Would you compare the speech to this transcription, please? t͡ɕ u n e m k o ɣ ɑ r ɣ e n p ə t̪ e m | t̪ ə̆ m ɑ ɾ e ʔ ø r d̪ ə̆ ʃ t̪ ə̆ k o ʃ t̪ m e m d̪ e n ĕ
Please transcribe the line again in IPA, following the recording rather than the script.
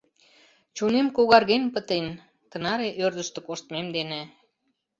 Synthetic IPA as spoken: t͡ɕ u n e m k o ɣ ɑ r ɣ e n p ə t̪ e n | t̪ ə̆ n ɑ ɾ e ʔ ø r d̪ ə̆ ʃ t̪ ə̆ k o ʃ t̪ m e m d̪ e n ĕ

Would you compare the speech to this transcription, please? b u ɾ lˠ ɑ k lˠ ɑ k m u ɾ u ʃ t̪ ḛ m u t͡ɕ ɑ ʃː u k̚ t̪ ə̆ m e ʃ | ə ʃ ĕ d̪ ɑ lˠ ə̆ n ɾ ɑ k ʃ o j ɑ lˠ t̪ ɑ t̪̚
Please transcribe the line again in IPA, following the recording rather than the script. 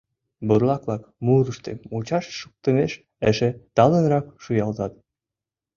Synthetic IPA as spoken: b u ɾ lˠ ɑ k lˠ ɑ k m u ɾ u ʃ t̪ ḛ m u t͡ɕ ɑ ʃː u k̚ t̪ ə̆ m e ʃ | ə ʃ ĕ t̪ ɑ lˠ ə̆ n ɾ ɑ k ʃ u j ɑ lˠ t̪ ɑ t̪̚

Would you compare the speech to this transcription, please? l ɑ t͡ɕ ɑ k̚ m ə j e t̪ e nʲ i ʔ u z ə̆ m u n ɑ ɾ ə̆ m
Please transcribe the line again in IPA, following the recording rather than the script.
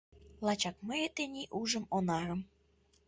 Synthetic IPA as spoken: l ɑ t͡ɕ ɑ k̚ m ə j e t̪ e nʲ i ʔ u ʒ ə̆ m o n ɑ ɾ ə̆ m

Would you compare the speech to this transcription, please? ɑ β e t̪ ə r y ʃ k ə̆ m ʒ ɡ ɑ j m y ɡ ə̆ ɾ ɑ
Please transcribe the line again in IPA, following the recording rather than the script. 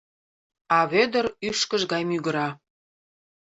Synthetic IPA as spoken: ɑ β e d̪ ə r y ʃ k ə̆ ʒ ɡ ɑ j m y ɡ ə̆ ɾ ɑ

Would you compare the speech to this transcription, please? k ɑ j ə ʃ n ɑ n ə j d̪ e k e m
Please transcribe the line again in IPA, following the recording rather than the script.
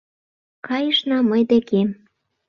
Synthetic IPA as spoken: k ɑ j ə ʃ n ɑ m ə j d̪ e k e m

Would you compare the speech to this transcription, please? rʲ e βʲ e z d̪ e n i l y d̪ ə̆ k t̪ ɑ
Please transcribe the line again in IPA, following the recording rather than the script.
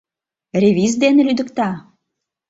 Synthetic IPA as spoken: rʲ e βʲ i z d̪ e n e l y d̪ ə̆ k t̪ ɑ

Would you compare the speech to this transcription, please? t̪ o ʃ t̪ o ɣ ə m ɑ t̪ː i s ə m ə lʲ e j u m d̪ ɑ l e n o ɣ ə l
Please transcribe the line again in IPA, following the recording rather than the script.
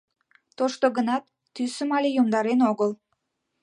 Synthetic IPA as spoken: t̪ o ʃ t̪ o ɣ ə n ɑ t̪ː y s ə m ɑ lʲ e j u m d̪ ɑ ɾ e n o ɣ ə l

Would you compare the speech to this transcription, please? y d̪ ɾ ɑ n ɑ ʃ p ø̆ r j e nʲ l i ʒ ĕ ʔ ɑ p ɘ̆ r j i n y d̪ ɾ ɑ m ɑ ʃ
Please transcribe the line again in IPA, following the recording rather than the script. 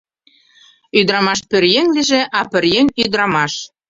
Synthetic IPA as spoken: y d̪ ɾ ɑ m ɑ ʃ p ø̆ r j e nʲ l i ʒ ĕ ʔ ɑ p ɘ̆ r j e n y d̪ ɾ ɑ m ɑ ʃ

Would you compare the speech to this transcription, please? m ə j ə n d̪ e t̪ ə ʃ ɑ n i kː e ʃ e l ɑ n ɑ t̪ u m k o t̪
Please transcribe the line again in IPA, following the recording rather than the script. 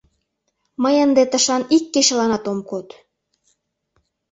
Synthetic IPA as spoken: m ə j ə n d̪ e t̪ ə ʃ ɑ n i kː e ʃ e l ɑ n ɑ t̪ o m k o t̪

